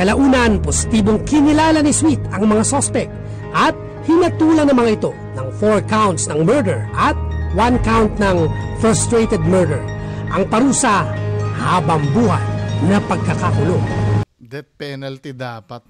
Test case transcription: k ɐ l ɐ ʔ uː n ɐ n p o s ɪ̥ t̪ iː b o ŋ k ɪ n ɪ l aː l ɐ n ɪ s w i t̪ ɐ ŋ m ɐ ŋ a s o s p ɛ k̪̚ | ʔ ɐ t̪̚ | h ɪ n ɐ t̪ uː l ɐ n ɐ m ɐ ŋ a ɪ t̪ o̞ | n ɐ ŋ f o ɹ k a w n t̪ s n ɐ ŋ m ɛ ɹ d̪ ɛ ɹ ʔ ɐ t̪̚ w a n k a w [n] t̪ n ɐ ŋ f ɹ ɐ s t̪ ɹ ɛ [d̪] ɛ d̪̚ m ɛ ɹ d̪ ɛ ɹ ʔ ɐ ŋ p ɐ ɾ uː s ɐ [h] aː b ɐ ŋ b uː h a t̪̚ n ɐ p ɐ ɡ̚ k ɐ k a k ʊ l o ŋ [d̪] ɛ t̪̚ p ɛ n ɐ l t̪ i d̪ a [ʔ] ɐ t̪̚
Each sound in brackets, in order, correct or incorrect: correct, incorrect: t̪, correct, correct, incorrect: p

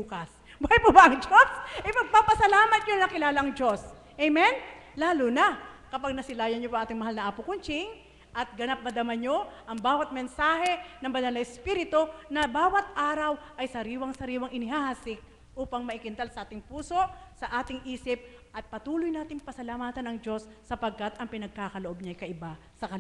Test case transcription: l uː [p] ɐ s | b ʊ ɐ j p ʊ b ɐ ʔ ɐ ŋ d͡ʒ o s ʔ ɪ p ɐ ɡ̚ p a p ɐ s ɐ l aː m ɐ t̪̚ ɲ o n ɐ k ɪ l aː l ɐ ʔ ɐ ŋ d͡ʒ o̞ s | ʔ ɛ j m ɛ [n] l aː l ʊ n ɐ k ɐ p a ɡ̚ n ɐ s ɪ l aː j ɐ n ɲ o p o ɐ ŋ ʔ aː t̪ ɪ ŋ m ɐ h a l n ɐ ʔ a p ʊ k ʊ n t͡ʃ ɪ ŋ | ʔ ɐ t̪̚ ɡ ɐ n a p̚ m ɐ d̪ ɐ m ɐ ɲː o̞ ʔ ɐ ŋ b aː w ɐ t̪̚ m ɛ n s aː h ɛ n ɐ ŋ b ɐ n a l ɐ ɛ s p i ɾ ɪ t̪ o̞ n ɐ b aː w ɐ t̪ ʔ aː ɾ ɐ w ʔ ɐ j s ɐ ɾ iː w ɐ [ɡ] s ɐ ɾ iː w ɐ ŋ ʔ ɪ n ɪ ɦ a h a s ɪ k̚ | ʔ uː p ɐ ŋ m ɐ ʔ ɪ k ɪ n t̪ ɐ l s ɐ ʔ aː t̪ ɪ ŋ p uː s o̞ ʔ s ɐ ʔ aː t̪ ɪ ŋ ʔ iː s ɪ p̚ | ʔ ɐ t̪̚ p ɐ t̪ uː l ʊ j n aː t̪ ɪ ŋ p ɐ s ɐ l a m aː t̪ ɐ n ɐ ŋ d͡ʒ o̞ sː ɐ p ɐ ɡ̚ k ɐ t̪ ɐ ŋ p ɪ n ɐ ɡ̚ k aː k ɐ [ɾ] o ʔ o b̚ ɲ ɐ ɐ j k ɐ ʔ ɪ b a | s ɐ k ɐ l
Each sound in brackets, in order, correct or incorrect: incorrect: k, correct, incorrect: ŋ, incorrect: l

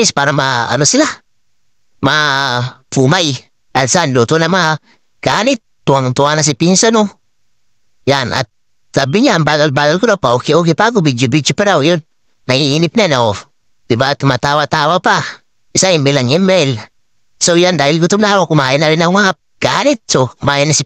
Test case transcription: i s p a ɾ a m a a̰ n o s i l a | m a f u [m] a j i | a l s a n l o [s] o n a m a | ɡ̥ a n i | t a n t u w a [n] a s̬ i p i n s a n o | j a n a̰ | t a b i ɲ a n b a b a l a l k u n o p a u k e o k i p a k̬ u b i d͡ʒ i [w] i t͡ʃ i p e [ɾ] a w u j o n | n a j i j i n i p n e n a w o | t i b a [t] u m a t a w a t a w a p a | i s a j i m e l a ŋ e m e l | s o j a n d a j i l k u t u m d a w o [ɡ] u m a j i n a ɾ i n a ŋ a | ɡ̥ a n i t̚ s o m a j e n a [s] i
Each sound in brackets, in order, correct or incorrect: correct, incorrect: t, correct, incorrect: b, correct, correct, incorrect: k, correct

